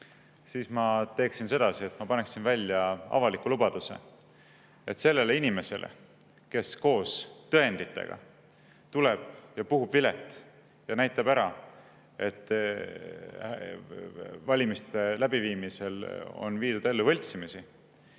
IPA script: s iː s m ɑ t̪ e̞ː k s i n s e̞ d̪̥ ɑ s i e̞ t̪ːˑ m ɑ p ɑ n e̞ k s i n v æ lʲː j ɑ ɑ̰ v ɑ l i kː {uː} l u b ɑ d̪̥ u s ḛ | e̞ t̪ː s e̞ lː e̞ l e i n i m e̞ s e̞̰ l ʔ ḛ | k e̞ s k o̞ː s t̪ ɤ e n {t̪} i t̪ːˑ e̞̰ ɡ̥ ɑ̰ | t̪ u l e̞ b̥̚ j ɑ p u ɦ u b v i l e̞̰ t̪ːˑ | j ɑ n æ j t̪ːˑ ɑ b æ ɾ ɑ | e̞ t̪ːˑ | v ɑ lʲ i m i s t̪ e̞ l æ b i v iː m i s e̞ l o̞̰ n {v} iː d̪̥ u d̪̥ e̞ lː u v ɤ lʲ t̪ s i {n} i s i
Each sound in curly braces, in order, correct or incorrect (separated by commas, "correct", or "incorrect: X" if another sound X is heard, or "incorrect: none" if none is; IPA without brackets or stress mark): incorrect: u, incorrect: d̪, correct, incorrect: m